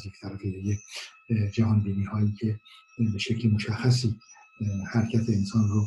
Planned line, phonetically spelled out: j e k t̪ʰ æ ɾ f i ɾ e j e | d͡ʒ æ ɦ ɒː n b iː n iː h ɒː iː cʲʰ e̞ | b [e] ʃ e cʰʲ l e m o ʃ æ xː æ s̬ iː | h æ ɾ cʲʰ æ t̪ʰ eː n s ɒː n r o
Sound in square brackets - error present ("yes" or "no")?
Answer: no